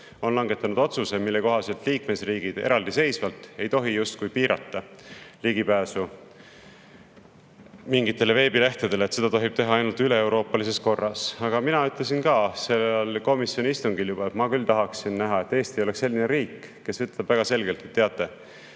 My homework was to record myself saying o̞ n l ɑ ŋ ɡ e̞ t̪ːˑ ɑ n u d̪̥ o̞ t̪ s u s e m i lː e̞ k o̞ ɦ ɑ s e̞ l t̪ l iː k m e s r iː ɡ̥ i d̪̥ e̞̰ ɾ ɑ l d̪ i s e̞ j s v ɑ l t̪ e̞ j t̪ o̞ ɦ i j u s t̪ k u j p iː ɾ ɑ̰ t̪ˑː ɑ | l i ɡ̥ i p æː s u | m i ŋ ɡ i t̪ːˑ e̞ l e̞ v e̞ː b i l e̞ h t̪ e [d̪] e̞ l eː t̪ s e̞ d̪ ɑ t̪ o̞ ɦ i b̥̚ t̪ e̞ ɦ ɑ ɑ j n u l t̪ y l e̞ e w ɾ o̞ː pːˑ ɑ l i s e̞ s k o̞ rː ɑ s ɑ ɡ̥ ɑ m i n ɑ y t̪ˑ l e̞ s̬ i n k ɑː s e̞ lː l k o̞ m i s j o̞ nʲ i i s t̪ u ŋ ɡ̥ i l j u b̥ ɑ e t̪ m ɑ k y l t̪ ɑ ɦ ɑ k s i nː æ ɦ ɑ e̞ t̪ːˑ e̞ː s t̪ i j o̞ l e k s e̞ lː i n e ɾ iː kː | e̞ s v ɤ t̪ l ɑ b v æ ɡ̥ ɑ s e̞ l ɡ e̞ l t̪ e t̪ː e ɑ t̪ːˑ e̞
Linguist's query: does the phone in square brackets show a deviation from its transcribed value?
no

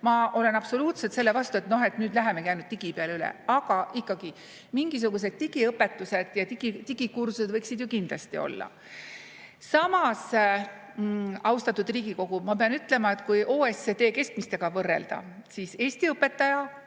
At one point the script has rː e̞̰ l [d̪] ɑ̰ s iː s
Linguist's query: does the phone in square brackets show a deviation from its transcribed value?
no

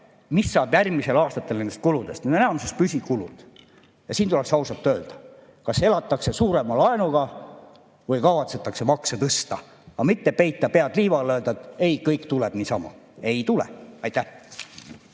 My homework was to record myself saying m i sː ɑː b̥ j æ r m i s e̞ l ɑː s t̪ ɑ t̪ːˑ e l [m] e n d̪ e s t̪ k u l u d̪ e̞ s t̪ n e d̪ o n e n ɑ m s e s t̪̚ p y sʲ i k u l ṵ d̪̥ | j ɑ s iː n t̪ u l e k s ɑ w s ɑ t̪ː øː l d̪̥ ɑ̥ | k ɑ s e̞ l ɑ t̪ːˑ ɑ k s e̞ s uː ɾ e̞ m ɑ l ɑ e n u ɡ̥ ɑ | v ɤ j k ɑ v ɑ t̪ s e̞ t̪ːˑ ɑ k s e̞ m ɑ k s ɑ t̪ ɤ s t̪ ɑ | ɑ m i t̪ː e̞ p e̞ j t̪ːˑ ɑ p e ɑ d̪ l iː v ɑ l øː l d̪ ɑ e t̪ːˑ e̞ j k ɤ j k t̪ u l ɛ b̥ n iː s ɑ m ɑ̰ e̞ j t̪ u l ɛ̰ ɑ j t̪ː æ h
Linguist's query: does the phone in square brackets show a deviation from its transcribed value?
yes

